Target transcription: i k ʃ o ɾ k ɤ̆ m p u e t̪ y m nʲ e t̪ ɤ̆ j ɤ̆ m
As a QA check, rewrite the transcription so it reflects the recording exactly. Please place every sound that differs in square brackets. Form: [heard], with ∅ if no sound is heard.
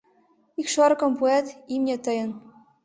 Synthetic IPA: i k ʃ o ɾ k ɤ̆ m p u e t̪ [i] m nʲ e t̪ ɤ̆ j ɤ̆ [n]